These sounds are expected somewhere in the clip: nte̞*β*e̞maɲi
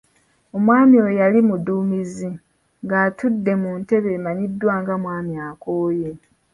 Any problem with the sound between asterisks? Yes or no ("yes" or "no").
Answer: no